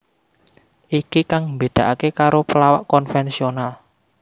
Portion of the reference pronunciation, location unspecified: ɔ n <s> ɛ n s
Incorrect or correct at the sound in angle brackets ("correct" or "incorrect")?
incorrect